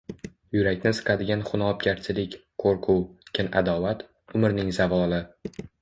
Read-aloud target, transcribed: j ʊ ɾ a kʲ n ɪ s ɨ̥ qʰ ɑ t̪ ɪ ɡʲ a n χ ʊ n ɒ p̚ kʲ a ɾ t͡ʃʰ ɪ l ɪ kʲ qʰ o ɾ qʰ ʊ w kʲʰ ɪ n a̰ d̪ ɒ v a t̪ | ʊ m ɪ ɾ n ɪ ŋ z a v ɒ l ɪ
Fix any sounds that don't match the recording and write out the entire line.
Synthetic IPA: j ʊ ɾ a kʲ n ɪ s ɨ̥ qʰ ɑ d̪ ɪ ɡʲ a n χ ʊ n ɒ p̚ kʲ a ɾ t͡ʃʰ ɪ l ɪ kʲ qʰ o ɾ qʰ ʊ w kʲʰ ɪ n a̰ d̪ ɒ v a t̪ | ʊ m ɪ ɾ n ɪ ŋ z a v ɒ l ɪ